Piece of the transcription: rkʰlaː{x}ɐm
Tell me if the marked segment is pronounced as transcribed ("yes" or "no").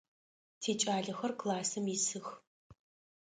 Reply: no